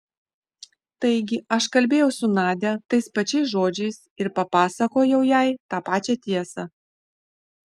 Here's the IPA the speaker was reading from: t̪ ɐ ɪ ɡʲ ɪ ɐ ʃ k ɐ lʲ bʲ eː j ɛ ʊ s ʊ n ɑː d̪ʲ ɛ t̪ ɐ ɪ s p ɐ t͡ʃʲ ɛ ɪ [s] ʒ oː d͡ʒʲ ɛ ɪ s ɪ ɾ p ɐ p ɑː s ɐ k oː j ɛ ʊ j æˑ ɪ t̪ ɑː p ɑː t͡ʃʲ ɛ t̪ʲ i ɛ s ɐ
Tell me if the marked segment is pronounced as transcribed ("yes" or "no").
yes